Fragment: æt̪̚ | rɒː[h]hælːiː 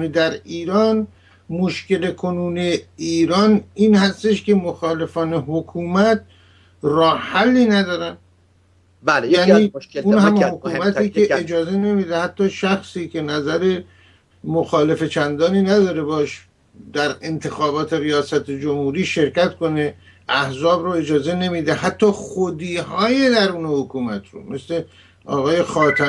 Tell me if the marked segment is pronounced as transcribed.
yes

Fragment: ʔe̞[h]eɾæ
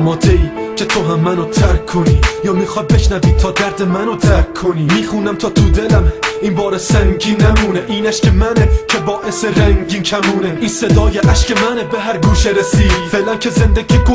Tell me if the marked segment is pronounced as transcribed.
no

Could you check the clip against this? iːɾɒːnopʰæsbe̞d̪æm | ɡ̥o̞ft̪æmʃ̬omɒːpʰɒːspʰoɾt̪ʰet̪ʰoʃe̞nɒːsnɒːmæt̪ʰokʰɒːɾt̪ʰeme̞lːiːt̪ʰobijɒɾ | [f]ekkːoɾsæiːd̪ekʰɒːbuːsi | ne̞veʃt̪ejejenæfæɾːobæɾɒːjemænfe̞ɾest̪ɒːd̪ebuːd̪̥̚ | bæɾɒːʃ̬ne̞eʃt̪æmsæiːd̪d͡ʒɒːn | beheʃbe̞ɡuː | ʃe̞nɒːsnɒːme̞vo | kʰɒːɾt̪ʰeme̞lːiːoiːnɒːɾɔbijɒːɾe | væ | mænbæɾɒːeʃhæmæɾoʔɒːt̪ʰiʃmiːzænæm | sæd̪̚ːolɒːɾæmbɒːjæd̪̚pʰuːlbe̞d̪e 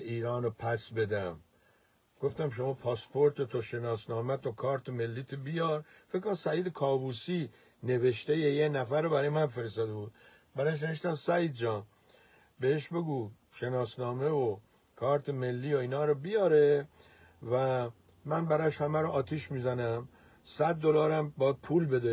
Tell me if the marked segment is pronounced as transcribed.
yes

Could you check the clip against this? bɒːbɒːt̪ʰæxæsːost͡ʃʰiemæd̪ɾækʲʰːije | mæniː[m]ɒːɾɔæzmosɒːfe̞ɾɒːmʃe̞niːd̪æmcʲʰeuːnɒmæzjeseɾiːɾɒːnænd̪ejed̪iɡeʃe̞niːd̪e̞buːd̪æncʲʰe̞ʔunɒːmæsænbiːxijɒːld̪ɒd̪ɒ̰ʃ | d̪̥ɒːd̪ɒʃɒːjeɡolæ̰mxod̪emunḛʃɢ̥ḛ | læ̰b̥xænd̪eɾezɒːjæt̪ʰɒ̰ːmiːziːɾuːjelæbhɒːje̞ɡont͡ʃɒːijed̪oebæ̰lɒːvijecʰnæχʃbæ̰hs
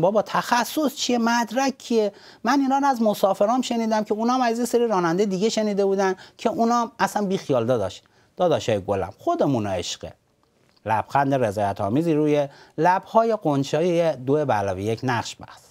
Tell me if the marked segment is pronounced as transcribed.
no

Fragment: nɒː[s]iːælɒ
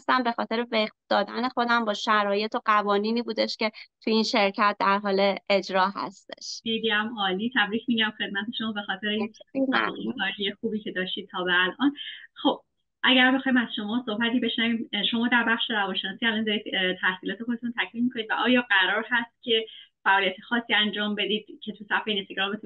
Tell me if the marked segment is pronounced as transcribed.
yes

